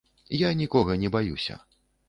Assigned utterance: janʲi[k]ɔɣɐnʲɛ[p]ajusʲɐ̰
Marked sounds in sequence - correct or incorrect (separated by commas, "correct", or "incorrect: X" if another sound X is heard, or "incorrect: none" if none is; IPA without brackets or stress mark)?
correct, incorrect: b